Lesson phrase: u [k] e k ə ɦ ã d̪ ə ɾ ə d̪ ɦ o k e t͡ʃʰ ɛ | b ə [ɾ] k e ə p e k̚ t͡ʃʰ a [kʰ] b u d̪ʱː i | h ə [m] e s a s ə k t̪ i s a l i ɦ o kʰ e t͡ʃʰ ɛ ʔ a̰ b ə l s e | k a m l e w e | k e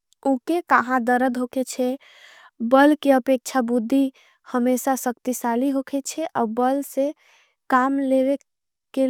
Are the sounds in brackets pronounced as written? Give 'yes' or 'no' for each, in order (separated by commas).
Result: yes, no, no, yes